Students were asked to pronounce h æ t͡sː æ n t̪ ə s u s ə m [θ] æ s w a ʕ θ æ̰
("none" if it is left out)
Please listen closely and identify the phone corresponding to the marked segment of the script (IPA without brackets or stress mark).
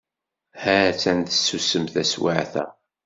θ